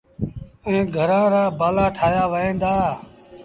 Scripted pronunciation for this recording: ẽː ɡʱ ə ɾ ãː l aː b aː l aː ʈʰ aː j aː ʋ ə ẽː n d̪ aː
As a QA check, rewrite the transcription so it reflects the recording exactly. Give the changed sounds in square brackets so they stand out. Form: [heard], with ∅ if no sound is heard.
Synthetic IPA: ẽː ɡʱ ə ɾ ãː [ɾ] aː b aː l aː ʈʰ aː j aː ʋ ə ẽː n d̪ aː